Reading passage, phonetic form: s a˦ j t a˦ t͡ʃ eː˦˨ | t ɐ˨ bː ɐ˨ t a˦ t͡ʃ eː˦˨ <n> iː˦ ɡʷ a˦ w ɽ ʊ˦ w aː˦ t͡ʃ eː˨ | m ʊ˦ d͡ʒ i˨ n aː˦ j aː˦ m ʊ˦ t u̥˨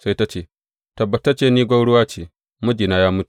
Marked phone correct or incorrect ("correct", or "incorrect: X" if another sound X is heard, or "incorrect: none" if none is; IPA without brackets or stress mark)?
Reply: correct